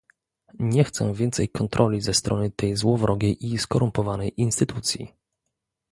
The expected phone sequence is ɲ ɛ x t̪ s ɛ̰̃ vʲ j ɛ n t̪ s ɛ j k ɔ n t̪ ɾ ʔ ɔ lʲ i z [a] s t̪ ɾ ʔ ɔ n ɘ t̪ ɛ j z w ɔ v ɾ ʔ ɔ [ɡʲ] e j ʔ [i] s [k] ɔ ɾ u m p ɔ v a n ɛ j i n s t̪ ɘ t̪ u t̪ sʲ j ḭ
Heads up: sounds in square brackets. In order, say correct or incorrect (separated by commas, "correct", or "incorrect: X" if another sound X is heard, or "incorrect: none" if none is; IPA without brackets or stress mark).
incorrect: ɛ, correct, correct, correct